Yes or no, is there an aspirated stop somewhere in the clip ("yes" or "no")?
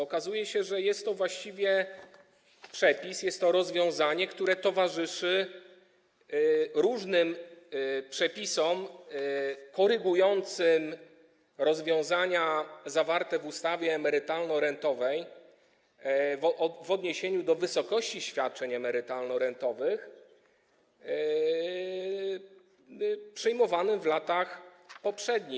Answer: no